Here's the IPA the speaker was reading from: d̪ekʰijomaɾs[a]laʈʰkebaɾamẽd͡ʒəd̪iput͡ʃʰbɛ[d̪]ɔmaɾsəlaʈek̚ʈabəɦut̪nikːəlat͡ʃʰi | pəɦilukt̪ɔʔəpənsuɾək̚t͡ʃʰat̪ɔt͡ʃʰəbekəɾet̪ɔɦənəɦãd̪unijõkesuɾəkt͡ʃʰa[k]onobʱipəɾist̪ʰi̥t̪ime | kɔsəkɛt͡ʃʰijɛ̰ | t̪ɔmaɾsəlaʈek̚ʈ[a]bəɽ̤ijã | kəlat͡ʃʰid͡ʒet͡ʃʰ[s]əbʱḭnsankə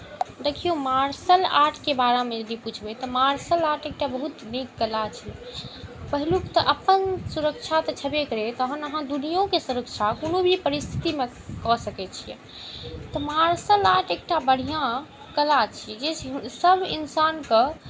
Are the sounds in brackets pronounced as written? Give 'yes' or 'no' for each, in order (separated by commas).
no, no, yes, yes, yes